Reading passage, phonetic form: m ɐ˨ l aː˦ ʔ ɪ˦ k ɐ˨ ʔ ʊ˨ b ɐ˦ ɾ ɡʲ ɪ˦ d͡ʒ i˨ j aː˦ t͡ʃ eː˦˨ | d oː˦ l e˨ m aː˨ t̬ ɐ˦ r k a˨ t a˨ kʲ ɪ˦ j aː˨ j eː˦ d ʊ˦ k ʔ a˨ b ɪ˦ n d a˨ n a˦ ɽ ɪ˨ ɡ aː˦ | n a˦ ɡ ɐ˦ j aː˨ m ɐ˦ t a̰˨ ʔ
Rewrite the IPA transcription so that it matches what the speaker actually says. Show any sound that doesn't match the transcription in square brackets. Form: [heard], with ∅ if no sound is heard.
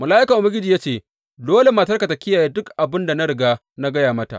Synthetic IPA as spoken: m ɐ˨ l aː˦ ʔ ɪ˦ k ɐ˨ ʔ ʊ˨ b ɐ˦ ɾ ɡʲ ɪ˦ d͡ʒ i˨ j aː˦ t͡ʃ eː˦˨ | d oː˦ l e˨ m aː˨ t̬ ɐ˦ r k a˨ t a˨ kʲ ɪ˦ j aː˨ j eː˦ d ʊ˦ k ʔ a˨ b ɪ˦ n d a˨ n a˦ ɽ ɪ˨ ɡ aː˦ | n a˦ ɡ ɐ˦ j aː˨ m ɐ˦ t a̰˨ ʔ